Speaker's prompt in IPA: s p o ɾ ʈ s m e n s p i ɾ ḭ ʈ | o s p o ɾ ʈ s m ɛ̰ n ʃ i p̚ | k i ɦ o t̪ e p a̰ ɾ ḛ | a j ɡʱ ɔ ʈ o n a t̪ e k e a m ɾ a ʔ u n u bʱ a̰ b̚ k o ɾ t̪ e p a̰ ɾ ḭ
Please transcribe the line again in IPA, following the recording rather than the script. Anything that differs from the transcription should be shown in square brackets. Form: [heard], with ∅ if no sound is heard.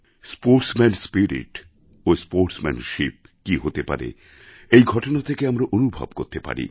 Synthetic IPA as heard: s p o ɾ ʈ s m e n s p i ɾ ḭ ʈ | o s p o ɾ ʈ s m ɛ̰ n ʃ i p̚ | k i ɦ o t̪ e p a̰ ɾ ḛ | [e] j ɡʱ ɔ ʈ o n a [t̪ʰ] e k e a m ɾ a ʔ [o] n u bʱ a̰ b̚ k o ɾ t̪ e p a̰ ɾ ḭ

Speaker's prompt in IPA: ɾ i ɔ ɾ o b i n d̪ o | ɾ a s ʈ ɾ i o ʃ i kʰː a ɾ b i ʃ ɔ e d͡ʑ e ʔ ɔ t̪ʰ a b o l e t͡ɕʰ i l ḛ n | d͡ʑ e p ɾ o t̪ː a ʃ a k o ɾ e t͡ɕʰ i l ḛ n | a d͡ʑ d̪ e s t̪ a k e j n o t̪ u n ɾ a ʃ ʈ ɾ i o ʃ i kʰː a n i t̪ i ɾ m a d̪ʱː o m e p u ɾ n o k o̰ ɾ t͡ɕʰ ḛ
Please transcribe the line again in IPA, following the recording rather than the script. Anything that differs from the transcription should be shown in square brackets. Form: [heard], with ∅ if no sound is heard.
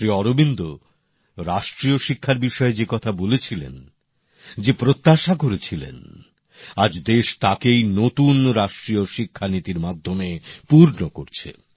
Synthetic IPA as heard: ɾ i ɔ ɾ o b i n d̪ o | ɾ a [ʃ] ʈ ɾ i o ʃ i kʰː a ɾ b i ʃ ɔ e d͡ʑ e [k] ɔ t̪ʰ a b o l e t͡ɕʰ i l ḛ n | d͡ʑ e p ɾ o t̪ː a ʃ a k o ɾ e t͡ɕʰ i l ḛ n | a d͡ʑ d̪ e [ʃ] t̪ a k e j n o t̪ u n ɾ a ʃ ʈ ɾ i o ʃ i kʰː a n i t̪ i ɾ m a d̪ʱː o m e p u ɾ n o k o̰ ɾ t͡ɕʰ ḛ

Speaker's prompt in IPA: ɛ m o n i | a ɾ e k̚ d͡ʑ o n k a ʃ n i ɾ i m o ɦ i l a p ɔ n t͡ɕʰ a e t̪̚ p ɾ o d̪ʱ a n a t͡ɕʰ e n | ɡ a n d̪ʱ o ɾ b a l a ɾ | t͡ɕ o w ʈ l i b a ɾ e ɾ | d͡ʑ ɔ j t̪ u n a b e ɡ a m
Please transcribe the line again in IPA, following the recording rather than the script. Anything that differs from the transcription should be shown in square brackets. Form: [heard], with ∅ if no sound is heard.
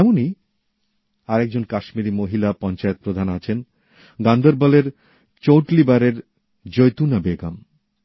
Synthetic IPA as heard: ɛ m o n i | a ɾ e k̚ d͡ʑ o n k a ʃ [m] i ɾ i m o ɦ i l a p ɔ n [t͡ɕ] a e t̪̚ p ɾ o d̪ʱ a n a t͡ɕʰ e n | ɡ a n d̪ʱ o ɾ b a l [e] ɾ | t͡ɕ o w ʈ l i b a ɾ e ɾ | d͡ʑ [o] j t̪ u n a b e ɡ a m

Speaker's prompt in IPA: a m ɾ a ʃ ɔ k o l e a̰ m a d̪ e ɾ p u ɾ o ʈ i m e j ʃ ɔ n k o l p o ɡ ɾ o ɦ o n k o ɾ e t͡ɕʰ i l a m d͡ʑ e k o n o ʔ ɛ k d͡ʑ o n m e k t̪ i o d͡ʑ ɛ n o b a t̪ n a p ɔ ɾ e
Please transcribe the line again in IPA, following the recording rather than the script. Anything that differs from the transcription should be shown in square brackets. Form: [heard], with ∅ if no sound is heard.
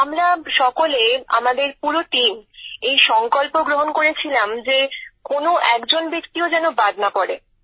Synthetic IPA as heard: a m ɾ a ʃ ɔ k o l e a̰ m a d̪ e ɾ p u ɾ o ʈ i m e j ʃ ɔ [ŋ] k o l p o ɡ ɾ o ɦ o n k o ɾ e t͡ɕʰ i l a m d͡ʑ e k o n o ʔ ɛ k d͡ʑ o n [b] e k t̪ i o d͡ʑ ɛ n o b a [d̪] n a p ɔ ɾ e

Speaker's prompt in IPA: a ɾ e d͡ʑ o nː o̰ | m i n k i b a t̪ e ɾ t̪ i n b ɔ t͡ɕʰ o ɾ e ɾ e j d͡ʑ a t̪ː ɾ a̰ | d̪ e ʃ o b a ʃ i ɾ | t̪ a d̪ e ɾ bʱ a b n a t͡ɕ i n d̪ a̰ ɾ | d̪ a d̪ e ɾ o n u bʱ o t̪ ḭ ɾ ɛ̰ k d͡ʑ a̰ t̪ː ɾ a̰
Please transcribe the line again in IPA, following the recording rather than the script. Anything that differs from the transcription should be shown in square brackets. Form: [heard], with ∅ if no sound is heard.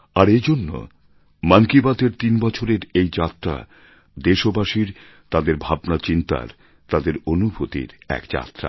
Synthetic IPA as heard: a ɾ e d͡ʑ o nː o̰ | m [a] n k i b a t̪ e ɾ t̪ i n b ɔ t͡ɕʰ o ɾ e ɾ e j d͡ʑ a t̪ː ɾ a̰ | d̪ e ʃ o b a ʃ i ɾ | t̪ a d̪ e ɾ bʱ a b n a t͡ɕ i n [t̪] a̰ ɾ | [t̪] a d̪ e ɾ o n u bʱ o t̪ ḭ ɾ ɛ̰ k d͡ʑ a̰ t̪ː ɾ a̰

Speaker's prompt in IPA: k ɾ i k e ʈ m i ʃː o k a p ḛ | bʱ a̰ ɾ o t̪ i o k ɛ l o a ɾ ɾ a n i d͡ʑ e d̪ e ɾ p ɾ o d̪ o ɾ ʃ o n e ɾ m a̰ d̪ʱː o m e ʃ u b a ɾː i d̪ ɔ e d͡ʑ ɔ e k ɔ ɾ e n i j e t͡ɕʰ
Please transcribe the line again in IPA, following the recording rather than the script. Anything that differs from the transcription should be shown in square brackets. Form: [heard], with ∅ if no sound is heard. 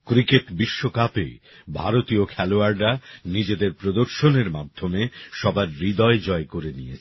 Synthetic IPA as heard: k ɾ i k e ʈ [b] i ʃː o k a p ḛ | bʱ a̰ ɾ o t̪ i o [kʰ] ɛ l o a ɾ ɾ a n i d͡ʑ e d̪ e ɾ p ɾ o d̪ o ɾ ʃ o n e ɾ m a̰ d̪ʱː o m e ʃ [ɔ] b a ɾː i d̪ ɔ e d͡ʑ ɔ e k [o] ɾ e n i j e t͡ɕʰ

